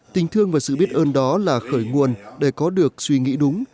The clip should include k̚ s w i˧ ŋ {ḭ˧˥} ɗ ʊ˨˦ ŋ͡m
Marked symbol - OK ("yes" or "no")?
yes